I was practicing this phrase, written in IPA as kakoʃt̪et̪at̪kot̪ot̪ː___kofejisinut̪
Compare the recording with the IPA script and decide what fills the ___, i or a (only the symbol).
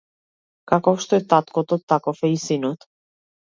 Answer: a